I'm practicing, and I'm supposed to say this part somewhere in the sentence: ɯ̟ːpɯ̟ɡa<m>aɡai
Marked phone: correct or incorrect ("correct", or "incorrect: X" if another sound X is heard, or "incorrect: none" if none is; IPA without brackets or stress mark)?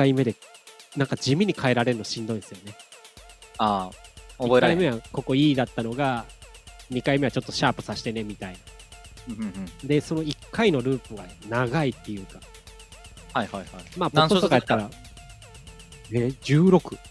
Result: incorrect: n